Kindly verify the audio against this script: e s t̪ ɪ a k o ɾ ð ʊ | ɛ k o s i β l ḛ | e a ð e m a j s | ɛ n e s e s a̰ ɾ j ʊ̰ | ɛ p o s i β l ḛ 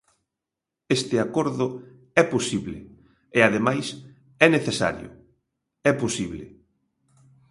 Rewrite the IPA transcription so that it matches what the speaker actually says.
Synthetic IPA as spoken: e s t̪ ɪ a k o ɾ ð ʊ | ɛ p o s i β l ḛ | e a ð e m a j s | ɛ n e θ e s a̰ ɾ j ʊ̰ | ɛ p o s i β l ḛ